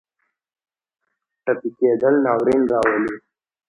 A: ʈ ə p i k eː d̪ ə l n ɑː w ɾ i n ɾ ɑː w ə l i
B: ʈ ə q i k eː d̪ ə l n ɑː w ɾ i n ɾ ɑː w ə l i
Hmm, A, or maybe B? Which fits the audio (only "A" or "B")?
A